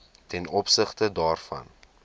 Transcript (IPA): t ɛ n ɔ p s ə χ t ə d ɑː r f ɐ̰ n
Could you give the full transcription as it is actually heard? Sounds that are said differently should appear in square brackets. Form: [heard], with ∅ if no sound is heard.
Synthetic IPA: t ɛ n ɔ p s ə χ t ə d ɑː r f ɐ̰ n